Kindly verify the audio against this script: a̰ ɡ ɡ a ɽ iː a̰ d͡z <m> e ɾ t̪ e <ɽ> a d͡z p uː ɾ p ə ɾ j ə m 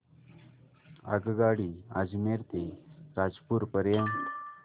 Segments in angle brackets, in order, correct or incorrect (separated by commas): correct, incorrect